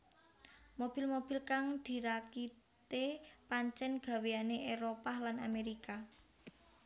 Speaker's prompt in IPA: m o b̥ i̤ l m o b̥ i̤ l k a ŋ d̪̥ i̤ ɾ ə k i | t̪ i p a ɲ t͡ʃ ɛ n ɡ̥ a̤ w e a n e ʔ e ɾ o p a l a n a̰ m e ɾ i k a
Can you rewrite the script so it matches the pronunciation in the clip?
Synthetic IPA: m o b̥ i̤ l m o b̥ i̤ l k a ŋ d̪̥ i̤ ɾ a k i | t̪ e p a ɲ t͡ʃ ɛ n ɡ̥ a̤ w e a n e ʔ e ɾ o p a l a n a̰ m e ɾ i k a